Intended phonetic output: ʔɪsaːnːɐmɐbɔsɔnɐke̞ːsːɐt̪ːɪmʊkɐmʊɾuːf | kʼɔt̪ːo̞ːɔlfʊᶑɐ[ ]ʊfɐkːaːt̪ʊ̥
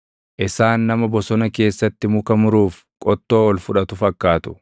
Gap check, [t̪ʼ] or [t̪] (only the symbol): t̪